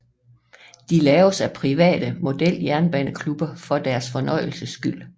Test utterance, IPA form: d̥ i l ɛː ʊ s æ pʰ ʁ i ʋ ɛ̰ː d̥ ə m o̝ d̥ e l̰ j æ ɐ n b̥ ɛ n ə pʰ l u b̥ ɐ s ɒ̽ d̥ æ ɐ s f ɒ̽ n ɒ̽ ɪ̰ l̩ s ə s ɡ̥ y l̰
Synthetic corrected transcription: d̥ i l ɛː ʊ s æ pʰ ʁ i ʋ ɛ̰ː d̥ ə m o̝ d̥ e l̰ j æ ɐ n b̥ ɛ n ə kʰ l u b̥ ɐ f ɒ̽ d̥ æ ɐ s f ɒ̽ n ɒ̽ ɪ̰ l̩ s ə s ɡ̥ y l̰

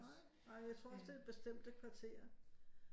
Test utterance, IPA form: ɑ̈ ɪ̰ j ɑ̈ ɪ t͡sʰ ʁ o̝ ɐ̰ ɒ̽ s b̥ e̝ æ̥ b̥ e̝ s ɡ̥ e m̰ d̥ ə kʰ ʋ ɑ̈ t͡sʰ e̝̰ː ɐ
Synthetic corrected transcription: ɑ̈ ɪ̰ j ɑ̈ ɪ t͡sʰ ʁ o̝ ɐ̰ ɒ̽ s d̥ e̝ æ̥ b̥ e̝ s d̥ e m̰ d̥ ə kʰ ʋ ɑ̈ t͡sʰ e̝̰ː ɐ

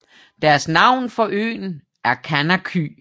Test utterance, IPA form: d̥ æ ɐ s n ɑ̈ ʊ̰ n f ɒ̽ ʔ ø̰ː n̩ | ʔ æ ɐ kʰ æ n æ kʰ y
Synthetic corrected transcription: d̥ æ ɐ s n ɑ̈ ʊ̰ n f ɒ̽ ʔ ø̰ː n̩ | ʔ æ ɐ kʰ æ n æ kʰ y

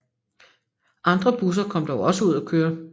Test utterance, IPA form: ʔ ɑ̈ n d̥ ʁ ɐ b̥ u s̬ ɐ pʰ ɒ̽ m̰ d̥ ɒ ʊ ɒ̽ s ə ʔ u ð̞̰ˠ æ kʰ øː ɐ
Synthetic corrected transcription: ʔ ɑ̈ n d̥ ʁ ɐ b̥ u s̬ ɐ kʰ ɒ̽ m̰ d̥ ɒ ʊ ɒ̽ s ə u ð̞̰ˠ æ kʰ øː ɐ

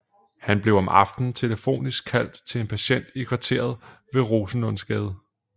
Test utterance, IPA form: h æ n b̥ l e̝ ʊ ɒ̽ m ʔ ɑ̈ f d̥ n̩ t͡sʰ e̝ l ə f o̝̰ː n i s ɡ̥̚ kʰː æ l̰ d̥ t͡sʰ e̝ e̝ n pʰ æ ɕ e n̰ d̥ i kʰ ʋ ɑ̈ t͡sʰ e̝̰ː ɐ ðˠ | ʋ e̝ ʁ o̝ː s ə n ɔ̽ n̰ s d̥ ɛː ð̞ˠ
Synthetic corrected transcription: h æ n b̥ l e̝ ʊ ɒ̽ m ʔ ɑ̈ f d̥ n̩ t͡sʰ e̝ l ə f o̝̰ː n i s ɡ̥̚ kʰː æ l̰ d̥ t͡sʰ e̝ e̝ n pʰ æ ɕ e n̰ d̥ i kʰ ʋ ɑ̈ t͡sʰ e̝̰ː ɐ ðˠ | ʋ e̝ ʁ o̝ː s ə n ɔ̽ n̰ s ɡ̥ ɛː ð̞ˠ

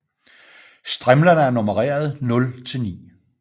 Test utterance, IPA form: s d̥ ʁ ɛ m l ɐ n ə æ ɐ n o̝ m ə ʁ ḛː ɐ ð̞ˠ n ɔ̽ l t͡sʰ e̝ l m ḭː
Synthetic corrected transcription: s d̥ ʁ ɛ m l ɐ n ə æ ɐ n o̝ m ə ʁ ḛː ɐ ð̞ˠ n ɔ̽ l t͡sʰ e̝ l n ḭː

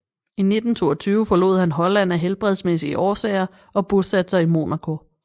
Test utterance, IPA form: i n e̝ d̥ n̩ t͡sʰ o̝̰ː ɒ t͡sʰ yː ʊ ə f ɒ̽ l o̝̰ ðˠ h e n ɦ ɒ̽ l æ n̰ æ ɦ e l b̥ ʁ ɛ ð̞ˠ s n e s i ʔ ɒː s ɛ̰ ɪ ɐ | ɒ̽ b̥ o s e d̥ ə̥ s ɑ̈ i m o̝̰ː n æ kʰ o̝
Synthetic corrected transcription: i n e̝ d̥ n̩ t͡sʰ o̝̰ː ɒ t͡sʰ yː ʊ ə f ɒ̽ l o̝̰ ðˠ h æ n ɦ ɒ̽ l æ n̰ æ ɦ e l b̥ ʁ ɛ ð̞ˠ s m e s i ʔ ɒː s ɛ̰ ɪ ɐ | ɒ̽ b̥ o s æ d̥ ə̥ s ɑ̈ i m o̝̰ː n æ kʰ o̝

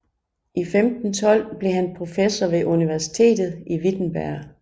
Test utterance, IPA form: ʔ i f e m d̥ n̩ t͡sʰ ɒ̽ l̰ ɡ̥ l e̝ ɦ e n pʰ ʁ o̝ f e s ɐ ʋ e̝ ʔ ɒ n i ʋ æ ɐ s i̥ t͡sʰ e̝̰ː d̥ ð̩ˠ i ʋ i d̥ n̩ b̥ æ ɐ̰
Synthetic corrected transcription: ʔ i f e m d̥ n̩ t͡sʰ ɒ̽ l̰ b̥ l e̝ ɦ æ n pʰ ʁ o̝ f e s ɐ ʋ e̝ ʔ u n i ʋ æ ɐ s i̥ t͡sʰ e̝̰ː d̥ ð̩ˠ i ʋ i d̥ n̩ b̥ æ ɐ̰

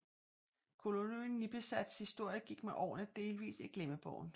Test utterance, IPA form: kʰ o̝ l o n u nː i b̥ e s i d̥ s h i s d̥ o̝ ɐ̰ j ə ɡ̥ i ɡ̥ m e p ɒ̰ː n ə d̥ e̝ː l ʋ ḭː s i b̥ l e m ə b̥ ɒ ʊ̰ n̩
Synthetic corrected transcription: kʰ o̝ l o n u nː i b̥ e s æ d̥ s h i s d̥ o̝ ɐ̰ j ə ɡ̥ i ɡ̥ m e ʔ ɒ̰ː n ə d̥ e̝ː l ʋ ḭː s i ɡ̥ l e m ə b̥ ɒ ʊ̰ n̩

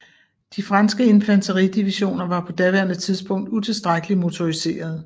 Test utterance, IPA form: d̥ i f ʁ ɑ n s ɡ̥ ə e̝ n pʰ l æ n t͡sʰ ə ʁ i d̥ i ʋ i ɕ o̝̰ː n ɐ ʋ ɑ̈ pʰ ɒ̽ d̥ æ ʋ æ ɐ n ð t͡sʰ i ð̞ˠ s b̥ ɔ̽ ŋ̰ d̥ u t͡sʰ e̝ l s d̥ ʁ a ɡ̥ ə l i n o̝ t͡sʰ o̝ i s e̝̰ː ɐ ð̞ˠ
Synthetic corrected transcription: d̥ i f ʁ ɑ n s ɡ̥ ə e̝ n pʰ l æ n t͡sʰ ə ʁ i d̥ i ʋ i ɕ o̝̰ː n ɐ ʋ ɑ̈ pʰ ɒ̽ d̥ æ ʋ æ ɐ n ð t͡sʰ i ð̞ˠ s b̥ ɔ̽ ŋ̰ d̥ u t͡sʰ e̝ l s d̥ ʁ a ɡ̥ ə l i m o̝ t͡sʰ o̝ i s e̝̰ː ɐ ð̞ˠ

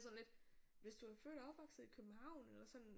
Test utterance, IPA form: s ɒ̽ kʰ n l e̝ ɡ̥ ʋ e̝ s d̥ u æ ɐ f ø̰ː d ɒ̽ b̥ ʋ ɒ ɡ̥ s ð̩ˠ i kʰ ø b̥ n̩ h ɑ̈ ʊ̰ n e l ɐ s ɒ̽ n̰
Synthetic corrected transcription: s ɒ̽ n l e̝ d̥ ʋ e̝ s d̥ u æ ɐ f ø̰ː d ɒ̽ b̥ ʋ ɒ ɡ̥ s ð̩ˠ i kʰ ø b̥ m̩ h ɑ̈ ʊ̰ n e l ɐ s ɒ̽ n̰

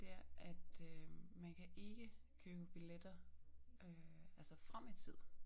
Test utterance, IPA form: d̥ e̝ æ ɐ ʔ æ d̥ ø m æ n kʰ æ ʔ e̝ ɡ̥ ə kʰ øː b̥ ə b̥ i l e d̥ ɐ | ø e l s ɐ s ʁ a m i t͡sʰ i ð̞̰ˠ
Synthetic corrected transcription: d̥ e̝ æ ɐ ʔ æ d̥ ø m æ n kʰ æ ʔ e̝ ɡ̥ ə kʰ øː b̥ ə b̥ i l e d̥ ɐ | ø æ l s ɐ f ʁ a m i t͡sʰ i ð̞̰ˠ

